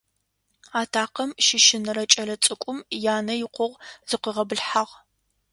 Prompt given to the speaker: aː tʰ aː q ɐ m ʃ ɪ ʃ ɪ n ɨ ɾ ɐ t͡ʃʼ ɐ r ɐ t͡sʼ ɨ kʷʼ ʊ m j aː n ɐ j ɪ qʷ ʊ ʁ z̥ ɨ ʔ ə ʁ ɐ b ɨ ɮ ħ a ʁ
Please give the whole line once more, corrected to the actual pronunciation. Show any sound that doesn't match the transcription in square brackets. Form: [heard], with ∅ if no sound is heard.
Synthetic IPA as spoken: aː tʰ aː q ɐ m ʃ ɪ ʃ ɪ n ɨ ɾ ɐ t͡ʃʼ ɐ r ɐ t͡sʼ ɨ kʷʼ ʊ m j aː n ɐ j ɪ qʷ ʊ ʁ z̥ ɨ [q] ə ʁ ɐ b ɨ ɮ ħ a ʁ